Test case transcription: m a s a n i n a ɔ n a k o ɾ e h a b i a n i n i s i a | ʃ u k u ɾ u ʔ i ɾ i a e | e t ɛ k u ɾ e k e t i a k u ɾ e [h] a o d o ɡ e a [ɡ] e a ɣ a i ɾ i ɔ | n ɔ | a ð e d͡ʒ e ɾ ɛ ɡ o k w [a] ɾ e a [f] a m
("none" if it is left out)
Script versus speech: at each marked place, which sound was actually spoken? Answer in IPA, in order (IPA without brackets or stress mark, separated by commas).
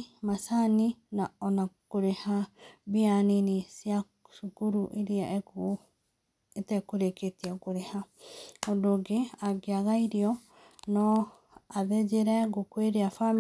h, ɡ, e, f